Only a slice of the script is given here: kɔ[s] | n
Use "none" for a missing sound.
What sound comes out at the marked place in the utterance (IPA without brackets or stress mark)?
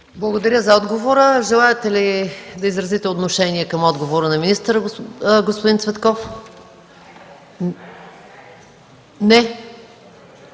f